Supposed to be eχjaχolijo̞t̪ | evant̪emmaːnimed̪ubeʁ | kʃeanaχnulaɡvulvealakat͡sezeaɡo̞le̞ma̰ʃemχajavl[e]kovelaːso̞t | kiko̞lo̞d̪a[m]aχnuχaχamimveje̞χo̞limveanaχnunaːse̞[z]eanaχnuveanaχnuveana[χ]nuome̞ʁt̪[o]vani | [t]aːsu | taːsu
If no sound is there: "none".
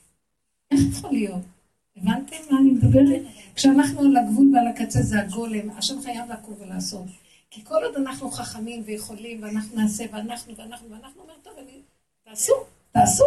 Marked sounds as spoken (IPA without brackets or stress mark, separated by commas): a, n, v, χ, o, t